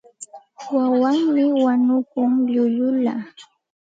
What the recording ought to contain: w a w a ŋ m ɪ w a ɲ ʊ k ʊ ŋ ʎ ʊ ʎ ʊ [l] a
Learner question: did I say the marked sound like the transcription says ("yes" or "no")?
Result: yes